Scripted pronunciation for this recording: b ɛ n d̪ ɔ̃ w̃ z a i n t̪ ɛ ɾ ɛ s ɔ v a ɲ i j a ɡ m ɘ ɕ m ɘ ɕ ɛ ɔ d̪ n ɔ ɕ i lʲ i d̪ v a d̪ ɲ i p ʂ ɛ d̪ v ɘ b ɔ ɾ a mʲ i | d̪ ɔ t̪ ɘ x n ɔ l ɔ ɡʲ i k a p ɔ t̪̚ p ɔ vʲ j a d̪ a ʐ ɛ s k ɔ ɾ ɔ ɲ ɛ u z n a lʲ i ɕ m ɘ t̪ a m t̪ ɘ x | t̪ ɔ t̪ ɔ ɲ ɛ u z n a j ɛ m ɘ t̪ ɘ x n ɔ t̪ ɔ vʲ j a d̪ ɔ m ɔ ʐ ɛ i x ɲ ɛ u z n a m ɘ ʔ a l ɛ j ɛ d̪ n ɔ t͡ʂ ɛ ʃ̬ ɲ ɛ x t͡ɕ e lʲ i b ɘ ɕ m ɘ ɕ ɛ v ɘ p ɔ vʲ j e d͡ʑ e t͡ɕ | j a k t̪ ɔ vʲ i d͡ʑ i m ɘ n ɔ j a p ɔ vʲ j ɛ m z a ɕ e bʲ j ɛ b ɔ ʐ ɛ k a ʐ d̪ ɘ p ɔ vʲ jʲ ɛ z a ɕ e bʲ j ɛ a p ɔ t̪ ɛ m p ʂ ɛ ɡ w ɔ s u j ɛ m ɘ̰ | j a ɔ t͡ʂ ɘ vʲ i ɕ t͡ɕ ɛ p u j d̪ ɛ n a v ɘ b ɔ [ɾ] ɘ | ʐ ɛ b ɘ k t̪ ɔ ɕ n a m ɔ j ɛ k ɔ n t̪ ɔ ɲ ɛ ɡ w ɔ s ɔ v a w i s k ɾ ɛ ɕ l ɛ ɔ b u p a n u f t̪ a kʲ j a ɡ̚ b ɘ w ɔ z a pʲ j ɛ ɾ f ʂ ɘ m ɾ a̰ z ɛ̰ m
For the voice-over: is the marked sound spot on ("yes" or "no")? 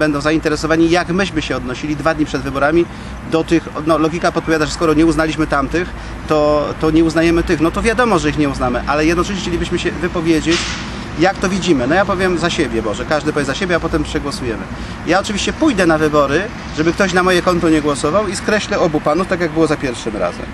yes